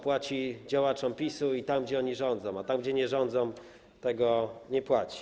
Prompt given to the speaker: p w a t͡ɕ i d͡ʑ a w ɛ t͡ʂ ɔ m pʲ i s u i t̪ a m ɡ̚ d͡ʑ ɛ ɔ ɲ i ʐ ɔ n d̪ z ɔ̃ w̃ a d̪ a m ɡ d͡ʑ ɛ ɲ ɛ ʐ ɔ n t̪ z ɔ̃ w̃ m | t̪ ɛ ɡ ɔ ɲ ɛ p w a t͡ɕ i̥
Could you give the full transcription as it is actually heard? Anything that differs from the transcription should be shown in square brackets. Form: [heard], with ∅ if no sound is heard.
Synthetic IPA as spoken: p w a t͡ɕ i d͡ʑ a w [a] t͡ʂ ɔ m pʲ i s u i t̪ a m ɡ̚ d͡ʑ ɛ ɔ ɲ i ʐ ɔ n d̪ z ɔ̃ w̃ a [t̪] a m ɡ d͡ʑ ɛ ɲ ɛ ʐ ɔ n [d̪] z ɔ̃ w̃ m | t̪ ɛ ɡ ɔ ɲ ɛ p w a t͡ɕ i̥